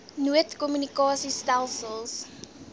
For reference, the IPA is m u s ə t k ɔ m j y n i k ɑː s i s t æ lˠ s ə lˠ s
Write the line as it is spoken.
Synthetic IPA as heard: n u ə t k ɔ m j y n i k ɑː s i s t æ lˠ s ə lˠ s

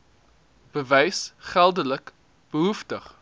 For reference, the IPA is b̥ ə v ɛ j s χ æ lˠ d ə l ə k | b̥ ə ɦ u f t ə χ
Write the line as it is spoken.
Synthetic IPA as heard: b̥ ə v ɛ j s χ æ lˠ d ə l ə k | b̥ ə ɦ u f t ə χ

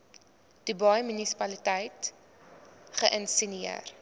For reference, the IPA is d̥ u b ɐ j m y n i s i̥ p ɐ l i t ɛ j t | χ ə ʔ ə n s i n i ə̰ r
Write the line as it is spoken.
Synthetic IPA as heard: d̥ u b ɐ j m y n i s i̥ p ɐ l i t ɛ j t | χ ə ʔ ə n s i n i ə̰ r

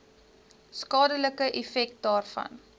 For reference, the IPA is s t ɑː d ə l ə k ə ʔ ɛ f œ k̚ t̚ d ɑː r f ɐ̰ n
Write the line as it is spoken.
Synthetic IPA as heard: s k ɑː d ə l ə k ə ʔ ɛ f ɛ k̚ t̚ d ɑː r f ɐ̰ n

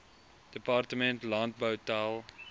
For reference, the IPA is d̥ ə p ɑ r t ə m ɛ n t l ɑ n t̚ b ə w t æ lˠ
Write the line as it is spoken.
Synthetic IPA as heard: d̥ ə p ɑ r t ə m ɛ n t l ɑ n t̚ b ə w t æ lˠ

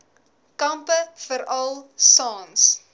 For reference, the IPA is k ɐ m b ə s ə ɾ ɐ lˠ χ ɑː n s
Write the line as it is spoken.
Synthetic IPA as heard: k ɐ m p ə f ə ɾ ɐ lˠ s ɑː n s

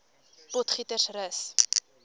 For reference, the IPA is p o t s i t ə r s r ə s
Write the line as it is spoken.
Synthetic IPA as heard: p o t χ i t ə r s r ə s

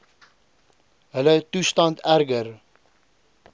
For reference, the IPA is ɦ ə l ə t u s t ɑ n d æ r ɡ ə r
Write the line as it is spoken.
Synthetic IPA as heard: ɦ ə l ə t u s t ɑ n t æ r ɡ ə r

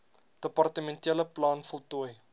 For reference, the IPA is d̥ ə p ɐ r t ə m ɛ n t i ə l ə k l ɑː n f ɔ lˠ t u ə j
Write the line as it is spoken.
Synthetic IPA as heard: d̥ ə p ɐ r t ə m ɛ n t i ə l ə p l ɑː n f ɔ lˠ t u ə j

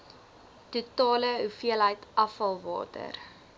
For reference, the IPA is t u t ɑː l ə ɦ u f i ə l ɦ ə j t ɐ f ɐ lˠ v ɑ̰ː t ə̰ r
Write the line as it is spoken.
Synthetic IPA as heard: t u t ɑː l ə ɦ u f i ə l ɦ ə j t ɐ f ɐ lˠ v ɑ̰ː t ə̰ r

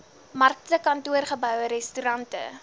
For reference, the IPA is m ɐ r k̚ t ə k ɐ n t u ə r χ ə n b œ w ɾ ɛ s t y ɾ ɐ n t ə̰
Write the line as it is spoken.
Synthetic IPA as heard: m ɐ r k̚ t ə k ɐ n t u ə r χ ə b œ w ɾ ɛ s t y ɾ ɐ n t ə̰

